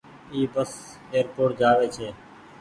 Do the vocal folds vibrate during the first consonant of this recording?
yes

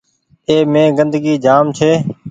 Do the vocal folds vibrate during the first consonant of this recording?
yes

